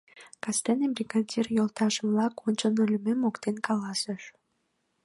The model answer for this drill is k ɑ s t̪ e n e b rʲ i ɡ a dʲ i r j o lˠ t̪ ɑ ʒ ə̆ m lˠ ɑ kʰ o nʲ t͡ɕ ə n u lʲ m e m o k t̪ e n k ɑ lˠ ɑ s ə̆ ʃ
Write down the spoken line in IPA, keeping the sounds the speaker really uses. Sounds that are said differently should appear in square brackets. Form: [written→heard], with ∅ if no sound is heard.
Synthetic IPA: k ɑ s t̪ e n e b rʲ i ɡ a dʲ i r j o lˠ t̪ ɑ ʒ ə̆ m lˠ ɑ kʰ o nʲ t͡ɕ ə n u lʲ m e m o k t̪ e n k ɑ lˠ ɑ s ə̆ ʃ